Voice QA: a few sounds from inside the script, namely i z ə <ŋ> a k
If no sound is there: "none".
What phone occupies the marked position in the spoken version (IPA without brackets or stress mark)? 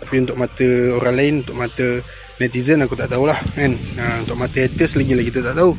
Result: n